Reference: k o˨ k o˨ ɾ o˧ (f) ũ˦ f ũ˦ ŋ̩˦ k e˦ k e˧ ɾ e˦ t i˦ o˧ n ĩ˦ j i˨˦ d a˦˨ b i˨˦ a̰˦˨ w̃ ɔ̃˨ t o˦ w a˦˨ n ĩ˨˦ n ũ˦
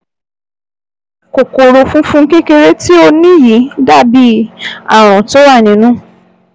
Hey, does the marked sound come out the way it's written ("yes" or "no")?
yes